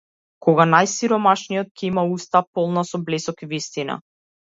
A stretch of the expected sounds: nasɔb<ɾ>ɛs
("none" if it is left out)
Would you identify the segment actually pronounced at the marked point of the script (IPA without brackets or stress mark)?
l